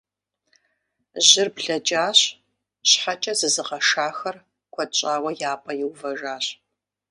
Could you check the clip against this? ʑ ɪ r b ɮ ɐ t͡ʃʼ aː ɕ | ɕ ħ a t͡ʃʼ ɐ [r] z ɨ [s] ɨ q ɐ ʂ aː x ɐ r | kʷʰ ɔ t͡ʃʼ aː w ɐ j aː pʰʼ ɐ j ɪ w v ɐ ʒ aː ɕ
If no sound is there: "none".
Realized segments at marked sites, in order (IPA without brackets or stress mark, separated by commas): none, z